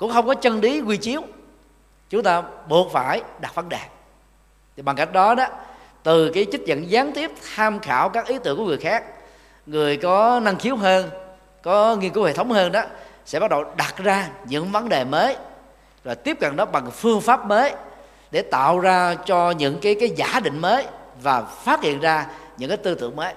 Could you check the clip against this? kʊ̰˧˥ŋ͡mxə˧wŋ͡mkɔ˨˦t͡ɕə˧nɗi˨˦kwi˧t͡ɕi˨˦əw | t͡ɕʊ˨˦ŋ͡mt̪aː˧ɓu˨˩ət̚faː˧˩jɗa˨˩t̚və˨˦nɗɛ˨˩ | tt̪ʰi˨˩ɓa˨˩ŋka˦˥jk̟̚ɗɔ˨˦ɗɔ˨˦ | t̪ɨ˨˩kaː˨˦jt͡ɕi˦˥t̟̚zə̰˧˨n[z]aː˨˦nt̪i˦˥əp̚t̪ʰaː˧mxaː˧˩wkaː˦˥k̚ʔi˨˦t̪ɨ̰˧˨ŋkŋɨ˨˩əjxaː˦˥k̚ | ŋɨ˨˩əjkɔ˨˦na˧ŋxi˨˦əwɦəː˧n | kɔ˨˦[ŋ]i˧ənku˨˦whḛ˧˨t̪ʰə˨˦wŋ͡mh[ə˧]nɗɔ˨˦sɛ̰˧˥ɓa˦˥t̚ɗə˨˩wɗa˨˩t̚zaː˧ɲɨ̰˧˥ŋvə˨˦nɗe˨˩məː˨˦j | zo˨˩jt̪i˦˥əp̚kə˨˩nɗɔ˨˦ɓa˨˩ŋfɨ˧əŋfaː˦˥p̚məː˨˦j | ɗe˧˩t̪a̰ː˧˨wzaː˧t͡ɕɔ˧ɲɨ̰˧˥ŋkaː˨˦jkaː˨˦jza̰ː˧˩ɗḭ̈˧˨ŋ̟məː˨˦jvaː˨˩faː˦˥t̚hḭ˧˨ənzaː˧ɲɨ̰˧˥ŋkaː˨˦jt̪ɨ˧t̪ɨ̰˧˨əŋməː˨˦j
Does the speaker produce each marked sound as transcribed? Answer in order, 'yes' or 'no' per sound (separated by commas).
yes, yes, no